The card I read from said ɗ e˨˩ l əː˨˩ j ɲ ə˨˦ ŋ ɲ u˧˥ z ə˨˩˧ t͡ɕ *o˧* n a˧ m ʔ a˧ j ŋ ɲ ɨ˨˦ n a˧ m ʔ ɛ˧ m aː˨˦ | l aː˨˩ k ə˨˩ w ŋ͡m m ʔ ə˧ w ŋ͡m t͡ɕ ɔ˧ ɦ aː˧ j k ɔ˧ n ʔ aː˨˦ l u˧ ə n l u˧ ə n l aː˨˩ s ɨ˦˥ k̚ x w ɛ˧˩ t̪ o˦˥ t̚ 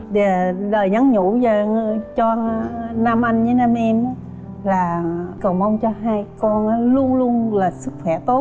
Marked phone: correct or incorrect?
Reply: incorrect